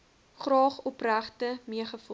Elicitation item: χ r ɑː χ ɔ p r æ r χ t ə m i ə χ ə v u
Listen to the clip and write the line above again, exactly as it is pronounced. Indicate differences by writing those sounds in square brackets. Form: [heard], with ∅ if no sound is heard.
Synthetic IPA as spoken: χ r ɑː χ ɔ p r æ [∅] χ t ə m i ə χ ə [f] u